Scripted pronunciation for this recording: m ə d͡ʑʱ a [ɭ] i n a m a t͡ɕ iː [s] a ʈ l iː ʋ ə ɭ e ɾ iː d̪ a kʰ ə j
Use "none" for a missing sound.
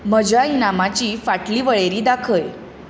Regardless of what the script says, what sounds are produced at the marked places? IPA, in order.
none, f

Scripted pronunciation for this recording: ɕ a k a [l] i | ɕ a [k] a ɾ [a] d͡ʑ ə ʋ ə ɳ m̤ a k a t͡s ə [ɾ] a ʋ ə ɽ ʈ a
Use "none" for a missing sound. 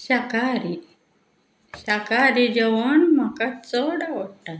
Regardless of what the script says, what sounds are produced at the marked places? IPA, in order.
ɾ, k, i, ɽ

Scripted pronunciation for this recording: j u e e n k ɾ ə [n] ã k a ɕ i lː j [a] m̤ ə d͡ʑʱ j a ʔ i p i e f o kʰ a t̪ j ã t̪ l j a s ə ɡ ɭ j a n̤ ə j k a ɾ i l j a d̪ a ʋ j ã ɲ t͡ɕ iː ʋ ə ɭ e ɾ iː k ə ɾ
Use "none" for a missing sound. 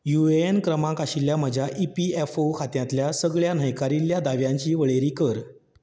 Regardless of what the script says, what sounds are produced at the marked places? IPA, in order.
m, a

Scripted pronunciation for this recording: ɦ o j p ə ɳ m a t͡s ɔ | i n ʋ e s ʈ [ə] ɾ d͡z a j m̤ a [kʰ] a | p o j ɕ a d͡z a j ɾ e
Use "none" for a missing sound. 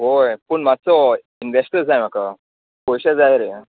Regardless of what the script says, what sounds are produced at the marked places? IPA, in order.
ə, k

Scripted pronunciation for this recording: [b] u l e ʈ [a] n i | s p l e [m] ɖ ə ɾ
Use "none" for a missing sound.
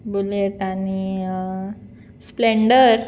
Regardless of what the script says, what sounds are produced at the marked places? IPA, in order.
b, a, ɳ

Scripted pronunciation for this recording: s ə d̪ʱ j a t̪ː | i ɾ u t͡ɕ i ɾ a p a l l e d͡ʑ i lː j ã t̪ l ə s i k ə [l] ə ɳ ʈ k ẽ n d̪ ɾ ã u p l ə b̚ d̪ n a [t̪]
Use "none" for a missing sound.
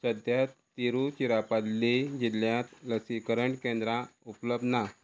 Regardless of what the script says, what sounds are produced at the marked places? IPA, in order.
ɾ, none

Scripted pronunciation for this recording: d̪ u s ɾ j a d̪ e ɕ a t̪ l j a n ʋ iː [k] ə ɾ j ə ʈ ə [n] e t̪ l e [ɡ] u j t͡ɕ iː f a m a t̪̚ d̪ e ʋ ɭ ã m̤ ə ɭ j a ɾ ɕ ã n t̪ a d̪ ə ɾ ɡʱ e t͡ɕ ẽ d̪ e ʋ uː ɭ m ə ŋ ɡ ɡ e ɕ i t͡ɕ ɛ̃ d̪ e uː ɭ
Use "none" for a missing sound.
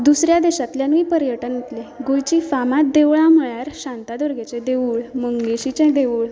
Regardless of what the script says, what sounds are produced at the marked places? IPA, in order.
p, n, ɡ

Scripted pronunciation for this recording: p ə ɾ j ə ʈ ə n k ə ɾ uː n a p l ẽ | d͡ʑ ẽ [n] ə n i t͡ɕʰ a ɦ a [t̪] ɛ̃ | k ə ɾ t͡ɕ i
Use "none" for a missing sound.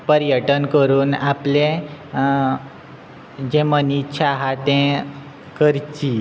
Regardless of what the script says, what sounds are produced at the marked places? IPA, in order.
m, t̪

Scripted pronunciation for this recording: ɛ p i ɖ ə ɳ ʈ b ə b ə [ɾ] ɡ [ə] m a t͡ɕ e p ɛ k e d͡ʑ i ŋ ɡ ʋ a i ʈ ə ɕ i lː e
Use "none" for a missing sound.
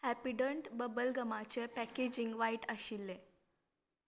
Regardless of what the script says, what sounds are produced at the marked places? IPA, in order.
l, ə

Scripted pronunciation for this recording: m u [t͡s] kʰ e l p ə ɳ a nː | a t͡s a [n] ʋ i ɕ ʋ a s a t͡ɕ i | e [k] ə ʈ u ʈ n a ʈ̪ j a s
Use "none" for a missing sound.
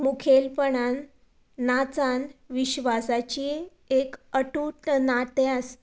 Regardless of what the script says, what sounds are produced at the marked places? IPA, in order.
none, n, k

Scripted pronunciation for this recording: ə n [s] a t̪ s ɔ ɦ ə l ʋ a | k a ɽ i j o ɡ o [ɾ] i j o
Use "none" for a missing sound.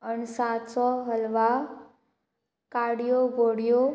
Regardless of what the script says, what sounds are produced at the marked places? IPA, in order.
s, ɽ

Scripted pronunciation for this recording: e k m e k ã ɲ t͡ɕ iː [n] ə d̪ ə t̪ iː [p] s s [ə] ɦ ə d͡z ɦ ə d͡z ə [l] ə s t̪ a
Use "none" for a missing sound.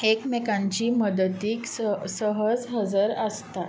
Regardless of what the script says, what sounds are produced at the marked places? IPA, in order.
m, k, ə, ɾ

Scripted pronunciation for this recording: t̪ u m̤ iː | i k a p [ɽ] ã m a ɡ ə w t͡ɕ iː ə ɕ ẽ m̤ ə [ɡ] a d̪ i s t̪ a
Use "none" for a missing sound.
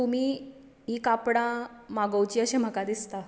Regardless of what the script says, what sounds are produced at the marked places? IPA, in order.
ɽ, k

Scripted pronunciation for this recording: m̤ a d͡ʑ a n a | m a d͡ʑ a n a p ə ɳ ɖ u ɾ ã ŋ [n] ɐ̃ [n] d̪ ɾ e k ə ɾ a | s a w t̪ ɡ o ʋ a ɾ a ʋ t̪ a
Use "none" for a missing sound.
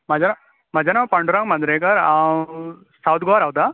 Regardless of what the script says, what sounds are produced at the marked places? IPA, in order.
m, n

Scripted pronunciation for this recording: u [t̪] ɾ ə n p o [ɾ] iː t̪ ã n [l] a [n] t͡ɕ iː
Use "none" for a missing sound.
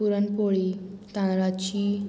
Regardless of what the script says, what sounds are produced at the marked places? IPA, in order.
none, ɭ, ɾ, none

